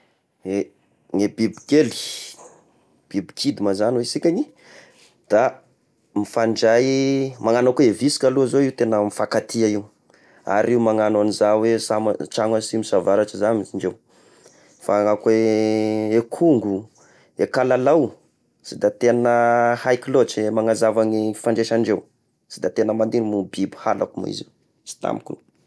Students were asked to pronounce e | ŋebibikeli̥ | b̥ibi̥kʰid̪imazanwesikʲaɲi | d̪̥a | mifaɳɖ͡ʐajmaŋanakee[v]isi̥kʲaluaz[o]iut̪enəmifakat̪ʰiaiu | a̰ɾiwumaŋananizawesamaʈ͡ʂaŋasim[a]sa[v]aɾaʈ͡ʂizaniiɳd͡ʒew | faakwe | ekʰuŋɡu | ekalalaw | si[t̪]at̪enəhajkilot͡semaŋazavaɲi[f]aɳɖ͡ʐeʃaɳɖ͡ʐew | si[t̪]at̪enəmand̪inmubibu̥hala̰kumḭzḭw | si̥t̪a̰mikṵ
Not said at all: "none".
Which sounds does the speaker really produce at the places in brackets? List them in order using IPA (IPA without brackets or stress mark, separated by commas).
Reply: v, o, i, v, d̪, f, d̪